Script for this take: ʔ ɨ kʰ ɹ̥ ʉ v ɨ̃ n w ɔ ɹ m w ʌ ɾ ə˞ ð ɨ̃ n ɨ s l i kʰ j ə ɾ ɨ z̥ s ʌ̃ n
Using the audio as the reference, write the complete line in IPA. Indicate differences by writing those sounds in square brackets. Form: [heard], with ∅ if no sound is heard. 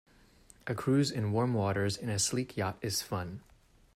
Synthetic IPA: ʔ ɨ kʰ ɹ̥ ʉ [z] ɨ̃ n w ɔ ɹ m w [ɔ] ɾ ə˞ [z] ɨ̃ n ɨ s l i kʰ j [ɑ] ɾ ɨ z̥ [f] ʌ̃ n